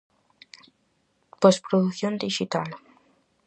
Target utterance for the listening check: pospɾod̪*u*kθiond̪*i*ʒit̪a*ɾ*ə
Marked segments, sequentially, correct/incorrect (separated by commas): correct, correct, incorrect